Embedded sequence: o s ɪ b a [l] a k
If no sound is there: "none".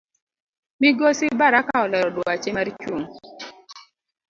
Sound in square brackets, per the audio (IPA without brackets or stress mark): ɾ